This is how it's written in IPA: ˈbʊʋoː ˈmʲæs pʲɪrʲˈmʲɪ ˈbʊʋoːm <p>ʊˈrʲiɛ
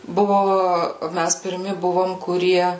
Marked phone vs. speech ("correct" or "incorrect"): incorrect